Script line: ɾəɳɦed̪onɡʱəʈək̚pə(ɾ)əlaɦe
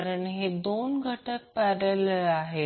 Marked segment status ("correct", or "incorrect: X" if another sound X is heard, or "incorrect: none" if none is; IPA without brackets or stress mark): correct